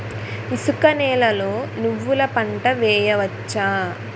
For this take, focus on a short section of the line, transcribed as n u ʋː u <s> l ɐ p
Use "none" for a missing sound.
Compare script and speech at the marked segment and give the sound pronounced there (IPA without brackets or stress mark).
none